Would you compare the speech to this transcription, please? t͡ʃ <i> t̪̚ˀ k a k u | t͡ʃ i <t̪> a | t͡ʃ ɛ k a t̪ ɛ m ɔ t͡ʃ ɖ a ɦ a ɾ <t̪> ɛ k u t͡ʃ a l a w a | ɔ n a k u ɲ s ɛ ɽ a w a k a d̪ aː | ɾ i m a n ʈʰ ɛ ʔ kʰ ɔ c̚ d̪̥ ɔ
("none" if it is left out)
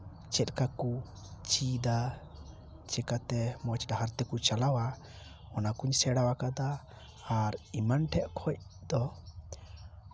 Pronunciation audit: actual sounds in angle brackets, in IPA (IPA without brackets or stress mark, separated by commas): ɛ, d̪, t̪